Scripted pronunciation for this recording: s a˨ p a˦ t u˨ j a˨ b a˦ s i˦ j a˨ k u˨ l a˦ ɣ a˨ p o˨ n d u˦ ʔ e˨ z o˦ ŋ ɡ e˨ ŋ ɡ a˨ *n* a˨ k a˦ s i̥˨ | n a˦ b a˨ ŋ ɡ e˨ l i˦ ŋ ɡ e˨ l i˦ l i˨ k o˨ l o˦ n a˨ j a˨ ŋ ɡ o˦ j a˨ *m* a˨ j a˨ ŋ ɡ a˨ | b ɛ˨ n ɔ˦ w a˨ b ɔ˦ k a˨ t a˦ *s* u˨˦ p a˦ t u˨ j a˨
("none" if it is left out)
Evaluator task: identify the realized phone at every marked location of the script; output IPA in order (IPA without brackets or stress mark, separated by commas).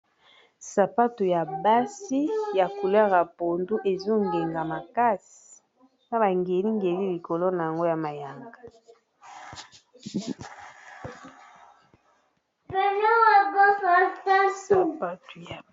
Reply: m, m, s